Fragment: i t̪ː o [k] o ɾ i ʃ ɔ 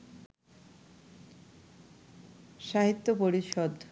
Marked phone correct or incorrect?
incorrect